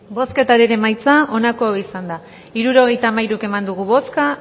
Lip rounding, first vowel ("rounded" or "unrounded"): rounded